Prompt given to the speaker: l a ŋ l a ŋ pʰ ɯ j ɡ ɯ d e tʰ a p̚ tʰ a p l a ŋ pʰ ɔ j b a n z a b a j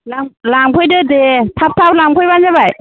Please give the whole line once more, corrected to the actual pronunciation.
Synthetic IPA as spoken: l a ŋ l a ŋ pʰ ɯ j d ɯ d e tʰ a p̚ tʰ a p l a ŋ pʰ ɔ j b a n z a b a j